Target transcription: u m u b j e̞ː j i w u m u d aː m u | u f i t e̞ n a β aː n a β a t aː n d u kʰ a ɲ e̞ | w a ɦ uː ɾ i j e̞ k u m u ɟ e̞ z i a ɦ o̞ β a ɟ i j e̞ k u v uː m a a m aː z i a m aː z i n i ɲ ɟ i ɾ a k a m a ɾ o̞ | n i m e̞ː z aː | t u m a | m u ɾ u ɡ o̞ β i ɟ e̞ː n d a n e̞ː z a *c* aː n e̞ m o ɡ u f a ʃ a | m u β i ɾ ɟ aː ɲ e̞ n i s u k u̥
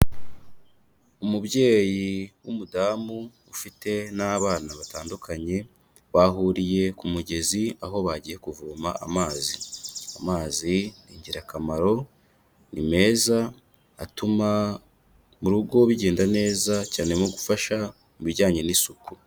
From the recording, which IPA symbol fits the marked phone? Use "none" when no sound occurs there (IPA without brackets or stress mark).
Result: c